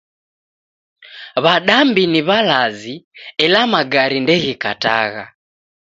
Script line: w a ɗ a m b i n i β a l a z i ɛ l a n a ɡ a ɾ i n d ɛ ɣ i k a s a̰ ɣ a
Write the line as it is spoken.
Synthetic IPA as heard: β a ɗ a m b i n i β a l a z i ɛ l a m a ɡ a ɾ i n d ɛ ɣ i k a t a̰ ɣ a

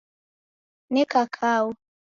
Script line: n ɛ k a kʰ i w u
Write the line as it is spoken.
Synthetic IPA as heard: n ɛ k a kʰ a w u

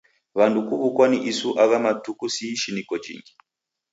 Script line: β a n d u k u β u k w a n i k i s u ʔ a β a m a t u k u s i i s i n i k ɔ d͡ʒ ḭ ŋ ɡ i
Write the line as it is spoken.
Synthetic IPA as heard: β a n d u k u β u k w a n i ʔ i s u ʔ a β a m a t u k u s i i ʃ i n i k ɔ d͡ʒ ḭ ŋ ɡ i

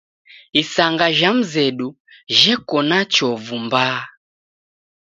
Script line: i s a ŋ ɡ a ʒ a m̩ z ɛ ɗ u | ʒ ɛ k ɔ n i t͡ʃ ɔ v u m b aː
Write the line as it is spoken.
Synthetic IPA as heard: i s a ŋ ɡ a ʒ a m̩ z ɛ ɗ u | ʒ ɛ k ɔ n a t͡ʃ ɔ v u m b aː

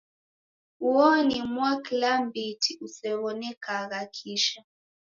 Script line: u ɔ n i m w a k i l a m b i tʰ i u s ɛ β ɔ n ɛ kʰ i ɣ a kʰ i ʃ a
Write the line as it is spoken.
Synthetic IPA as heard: u ɔ n i m w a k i l a m b i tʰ i u s ɛ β ɔ n ɛ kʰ a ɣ a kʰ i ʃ a

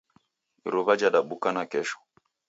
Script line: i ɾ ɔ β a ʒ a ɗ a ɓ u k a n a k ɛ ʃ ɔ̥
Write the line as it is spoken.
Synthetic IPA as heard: i ɾ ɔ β a d͡ʒ a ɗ a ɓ u k a n a k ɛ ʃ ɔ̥

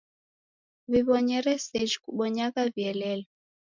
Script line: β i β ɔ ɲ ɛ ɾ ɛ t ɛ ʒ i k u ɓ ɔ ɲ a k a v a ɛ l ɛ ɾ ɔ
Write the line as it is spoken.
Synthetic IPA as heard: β i β ɔ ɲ ɛ ɾ ɛ s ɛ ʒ i k u ɓ ɔ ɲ a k a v i ɛ l ɛ l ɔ

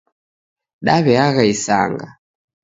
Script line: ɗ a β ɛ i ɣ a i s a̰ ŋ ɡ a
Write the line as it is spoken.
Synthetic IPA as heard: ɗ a β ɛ a ɣ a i s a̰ ŋ ɡ a

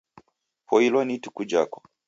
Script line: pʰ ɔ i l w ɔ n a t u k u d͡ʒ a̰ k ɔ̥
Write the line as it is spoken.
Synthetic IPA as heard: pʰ ɔ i l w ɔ n i t u k u d͡ʒ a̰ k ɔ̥

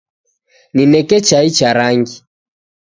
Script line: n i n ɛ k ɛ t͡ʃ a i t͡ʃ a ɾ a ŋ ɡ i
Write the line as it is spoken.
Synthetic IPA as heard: n i n ɛ k ɛ t͡ʃ a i t͡ʃ a ɾ a ŋ ɡ i

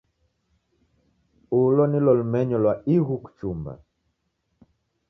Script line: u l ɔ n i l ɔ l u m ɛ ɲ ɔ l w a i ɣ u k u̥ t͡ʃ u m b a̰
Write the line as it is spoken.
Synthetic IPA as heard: u l ɔ n i l ɔ l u m ɛ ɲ ɔ l w a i ɣ u k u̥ t͡ʃ u m b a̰

